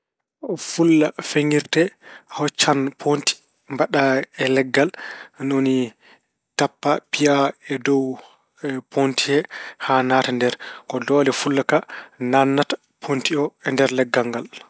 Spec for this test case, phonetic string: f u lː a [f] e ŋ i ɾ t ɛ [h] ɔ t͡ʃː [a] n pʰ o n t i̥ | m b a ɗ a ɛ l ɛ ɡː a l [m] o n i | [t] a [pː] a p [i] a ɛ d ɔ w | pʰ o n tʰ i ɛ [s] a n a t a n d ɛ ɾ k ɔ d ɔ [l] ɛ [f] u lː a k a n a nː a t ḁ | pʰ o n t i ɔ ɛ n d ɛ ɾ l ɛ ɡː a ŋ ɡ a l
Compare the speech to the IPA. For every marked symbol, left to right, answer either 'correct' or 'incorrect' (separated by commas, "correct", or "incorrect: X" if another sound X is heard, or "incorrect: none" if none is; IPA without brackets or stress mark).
correct, correct, correct, incorrect: n, correct, correct, correct, incorrect: h, correct, correct